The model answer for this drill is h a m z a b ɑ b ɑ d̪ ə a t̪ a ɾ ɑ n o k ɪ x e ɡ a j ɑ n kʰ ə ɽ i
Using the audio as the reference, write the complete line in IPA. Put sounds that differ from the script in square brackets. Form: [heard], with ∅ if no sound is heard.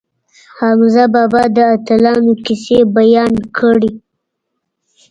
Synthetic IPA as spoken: h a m z a b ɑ b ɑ d̪ ə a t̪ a [l] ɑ n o k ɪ [s] e [b] a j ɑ n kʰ ə ɽ i